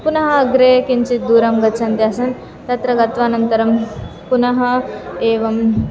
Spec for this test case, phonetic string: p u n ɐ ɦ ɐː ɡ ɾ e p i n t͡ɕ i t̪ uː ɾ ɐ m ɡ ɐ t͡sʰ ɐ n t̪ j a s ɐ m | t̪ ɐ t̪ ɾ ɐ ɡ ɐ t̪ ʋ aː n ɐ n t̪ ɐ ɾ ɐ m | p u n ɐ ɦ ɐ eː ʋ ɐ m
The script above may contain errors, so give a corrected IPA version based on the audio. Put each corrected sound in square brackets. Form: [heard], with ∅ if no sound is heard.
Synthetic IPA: p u n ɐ ɦ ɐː ɡ ɾ e [k] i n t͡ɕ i [d̪] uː ɾ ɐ m ɡ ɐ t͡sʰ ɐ n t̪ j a s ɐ [n] | t̪ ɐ t̪ ɾ ɐ ɡ ɐ t̪ ʋ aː n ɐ n t̪ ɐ ɾ ɐ m | p u n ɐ ɦ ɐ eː ʋ ɐ m